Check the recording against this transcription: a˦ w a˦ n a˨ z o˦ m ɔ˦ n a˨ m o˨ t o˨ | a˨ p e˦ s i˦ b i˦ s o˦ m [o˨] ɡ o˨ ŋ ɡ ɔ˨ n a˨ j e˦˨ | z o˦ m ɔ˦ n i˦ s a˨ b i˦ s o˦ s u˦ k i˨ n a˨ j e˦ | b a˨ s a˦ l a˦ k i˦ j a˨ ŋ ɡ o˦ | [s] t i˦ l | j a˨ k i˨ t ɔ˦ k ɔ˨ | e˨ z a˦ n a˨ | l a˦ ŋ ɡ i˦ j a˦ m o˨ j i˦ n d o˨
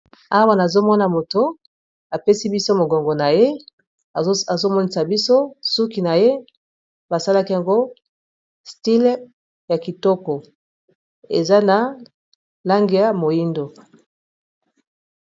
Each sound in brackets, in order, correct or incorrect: correct, correct

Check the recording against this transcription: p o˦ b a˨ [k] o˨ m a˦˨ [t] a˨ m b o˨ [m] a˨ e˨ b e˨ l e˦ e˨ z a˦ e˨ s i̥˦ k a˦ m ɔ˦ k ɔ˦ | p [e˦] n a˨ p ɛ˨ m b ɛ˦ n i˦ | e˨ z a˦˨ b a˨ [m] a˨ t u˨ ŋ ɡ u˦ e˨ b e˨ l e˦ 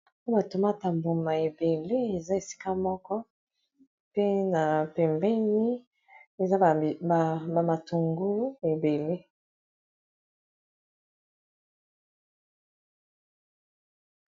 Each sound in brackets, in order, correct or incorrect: incorrect, correct, correct, correct, correct

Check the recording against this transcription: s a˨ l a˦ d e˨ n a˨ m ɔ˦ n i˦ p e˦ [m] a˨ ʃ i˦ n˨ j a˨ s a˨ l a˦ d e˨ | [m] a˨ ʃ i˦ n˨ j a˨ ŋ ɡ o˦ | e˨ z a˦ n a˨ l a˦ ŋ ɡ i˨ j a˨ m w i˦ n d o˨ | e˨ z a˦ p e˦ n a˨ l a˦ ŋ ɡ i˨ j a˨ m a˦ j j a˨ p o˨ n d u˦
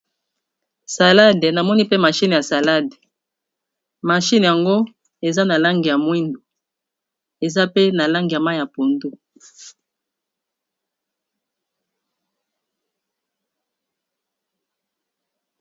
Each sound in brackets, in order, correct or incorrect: correct, correct

